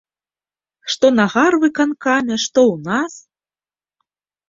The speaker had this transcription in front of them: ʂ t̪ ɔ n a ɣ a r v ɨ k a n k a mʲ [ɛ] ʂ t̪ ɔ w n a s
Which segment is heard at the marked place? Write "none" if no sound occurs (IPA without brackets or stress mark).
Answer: ɛ